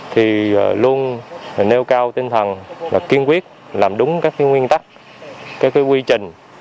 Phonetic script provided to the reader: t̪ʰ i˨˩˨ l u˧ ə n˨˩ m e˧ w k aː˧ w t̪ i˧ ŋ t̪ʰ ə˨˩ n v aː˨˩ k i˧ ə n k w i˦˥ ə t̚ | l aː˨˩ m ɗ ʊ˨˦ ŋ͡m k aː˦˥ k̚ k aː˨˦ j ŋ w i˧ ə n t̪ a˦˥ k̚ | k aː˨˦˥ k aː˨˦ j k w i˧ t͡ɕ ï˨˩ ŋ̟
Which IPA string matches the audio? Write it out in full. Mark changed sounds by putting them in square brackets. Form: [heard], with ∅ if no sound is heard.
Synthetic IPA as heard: t̪ʰ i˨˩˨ l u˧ ə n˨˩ [n] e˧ w k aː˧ w t̪ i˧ ŋ t̪ʰ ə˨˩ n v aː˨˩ k i˧ ə n k w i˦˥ ə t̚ | l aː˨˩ m ɗ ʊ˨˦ ŋ͡m k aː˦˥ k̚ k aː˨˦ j ŋ w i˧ ə n t̪ a˦˥ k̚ | k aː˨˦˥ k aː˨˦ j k w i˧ t͡ɕ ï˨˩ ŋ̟